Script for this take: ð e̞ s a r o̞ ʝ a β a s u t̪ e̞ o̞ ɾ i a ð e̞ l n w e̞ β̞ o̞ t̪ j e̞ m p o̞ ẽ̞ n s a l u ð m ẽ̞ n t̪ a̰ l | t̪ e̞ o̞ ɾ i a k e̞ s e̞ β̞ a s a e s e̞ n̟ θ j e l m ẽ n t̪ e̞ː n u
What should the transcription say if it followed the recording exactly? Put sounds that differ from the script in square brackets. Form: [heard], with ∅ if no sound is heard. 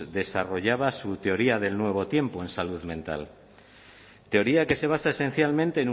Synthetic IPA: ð e̞ s a r o̞ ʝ a β a s u t̪ e̞ o̞ ɾ i a ð e̞ l n w e̞ β̞ o̞ t̪ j e̞ m p o̞ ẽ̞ n s a l u ð m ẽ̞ n t̪ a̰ l | t̪ e̞ o̞ ɾ i a k e̞ s e̞ β̞ a s a e s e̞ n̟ θ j [a] l m ẽ n t̪ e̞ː n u